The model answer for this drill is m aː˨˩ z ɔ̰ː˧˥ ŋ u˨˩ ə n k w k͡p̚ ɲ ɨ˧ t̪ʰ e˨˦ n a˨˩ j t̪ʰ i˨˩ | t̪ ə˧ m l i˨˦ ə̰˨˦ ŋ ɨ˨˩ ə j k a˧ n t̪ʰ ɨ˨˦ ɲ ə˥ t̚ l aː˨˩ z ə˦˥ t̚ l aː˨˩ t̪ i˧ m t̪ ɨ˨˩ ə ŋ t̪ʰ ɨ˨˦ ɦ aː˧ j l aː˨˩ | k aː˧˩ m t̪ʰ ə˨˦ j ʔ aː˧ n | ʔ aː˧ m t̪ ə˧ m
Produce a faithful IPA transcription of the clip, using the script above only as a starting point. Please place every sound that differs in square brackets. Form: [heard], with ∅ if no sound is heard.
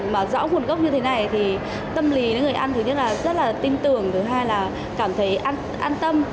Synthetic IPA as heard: m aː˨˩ z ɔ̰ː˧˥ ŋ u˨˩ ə n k w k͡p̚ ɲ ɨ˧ t̪ʰ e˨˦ n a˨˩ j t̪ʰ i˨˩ | t̪ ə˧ m l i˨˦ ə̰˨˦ ŋ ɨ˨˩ ə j [ʔ] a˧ n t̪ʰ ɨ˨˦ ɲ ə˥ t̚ l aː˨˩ z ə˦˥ t̚ l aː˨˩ t̪ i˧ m t̪ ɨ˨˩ ə ŋ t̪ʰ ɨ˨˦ ɦ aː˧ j l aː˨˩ | k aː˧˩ m t̪ʰ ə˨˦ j ʔ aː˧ n | ʔ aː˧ [n] t̪ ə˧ m